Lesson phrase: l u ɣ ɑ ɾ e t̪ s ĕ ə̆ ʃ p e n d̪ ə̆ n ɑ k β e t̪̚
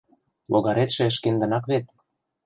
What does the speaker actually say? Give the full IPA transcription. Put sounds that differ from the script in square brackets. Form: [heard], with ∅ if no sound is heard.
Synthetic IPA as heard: l [o] ɣ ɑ ɾ e t̪ [ʃ] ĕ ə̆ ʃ [k] e n d̪ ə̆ n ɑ k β e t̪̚

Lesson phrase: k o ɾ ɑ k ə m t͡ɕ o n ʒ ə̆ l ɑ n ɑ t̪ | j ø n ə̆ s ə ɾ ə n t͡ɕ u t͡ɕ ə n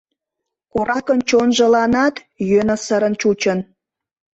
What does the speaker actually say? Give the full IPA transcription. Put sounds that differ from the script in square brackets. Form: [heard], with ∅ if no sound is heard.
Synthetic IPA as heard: k o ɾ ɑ k ə [n] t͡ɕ o n ʒ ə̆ l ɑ n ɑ t̪ | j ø n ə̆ s ə ɾ ə n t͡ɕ u t͡ɕ ə n

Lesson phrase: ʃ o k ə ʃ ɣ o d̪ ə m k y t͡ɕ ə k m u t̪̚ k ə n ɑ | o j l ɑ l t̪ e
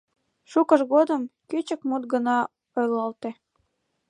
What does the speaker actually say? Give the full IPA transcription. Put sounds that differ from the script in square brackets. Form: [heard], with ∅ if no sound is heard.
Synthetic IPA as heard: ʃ [u] k ə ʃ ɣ o d̪ ə m k y t͡ɕ ə k m u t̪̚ [ɡ] ə n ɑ | o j l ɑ l t̪ e

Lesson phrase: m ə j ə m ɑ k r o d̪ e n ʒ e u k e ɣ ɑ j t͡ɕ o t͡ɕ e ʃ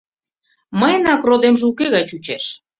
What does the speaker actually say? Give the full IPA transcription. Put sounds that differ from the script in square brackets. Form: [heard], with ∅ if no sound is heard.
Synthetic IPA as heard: m ə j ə [n] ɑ k r o d̪ e [m] ʒ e u k e ɣ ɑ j t͡ɕ [u] t͡ɕ e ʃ

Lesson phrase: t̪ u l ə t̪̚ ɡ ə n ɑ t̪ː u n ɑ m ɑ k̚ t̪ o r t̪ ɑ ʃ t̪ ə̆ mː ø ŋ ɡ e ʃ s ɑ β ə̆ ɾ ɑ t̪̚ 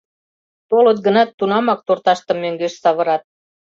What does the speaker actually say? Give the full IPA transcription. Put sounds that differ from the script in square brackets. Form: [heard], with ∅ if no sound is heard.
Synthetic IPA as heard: t̪ [o] l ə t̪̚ ɡ ə n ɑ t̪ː u n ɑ m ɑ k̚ t̪ o r t̪ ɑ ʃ t̪ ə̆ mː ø ŋ ɡ e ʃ s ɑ β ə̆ ɾ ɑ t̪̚

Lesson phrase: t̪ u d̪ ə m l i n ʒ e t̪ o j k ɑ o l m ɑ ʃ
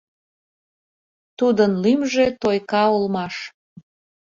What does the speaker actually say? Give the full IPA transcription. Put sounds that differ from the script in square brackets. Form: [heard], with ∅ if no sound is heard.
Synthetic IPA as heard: t̪ u d̪ ə [n] l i [m] ʒ e t̪ o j k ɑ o l m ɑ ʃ

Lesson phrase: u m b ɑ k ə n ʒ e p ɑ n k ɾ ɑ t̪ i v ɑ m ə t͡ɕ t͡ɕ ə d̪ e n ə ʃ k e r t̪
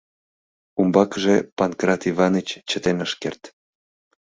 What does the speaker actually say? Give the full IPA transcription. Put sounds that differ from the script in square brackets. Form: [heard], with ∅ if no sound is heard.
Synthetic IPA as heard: u m b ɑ k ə [∅] ʒ e p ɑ n k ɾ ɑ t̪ i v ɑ [n] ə t͡ɕ t͡ɕ ə [t̪] e n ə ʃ k e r t̪

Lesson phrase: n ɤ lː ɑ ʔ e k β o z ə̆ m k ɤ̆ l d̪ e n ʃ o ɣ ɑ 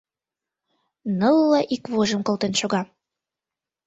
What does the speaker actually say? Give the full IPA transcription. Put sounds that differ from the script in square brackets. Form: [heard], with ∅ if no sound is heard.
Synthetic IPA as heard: n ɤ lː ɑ ʔ [i] k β o [ʒ] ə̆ m k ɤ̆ l [t̪] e n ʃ o ɣ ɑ

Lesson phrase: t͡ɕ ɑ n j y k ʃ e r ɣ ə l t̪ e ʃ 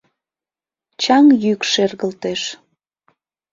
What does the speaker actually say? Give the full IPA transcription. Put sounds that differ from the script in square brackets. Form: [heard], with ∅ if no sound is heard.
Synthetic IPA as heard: t͡ɕ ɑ [ŋ] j y k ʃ e r ɣ ə l t̪ e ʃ

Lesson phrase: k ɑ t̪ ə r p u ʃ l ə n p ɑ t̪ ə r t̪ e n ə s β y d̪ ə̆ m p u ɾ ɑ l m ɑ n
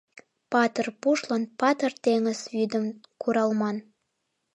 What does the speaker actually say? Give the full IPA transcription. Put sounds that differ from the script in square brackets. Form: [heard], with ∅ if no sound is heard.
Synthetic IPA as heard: [p] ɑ t̪ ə r p u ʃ l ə n p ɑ t̪ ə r t̪ e [ŋ] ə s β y d̪ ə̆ m [k] u ɾ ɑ l m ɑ n

